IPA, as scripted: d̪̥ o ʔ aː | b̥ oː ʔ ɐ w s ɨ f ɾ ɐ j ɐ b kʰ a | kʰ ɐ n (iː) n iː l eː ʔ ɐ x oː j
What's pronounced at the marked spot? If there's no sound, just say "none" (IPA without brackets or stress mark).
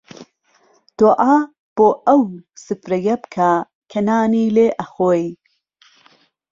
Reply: aː